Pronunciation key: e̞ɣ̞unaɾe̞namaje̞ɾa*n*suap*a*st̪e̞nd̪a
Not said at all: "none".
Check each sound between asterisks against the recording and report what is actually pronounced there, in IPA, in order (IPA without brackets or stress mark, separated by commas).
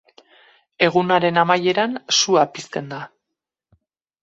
n, i